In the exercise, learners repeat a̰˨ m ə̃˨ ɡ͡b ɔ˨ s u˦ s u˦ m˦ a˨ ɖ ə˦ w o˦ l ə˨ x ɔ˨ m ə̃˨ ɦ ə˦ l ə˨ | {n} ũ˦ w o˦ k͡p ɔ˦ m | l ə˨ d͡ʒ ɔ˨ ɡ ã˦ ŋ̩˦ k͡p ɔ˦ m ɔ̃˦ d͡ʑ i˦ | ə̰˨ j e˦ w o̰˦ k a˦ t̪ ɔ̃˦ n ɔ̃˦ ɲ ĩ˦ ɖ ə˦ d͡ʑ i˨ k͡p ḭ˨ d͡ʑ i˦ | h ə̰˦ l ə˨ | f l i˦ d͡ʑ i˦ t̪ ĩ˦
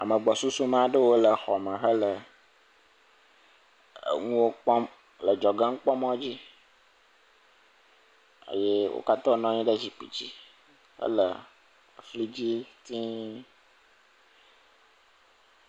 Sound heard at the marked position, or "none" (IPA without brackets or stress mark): ŋ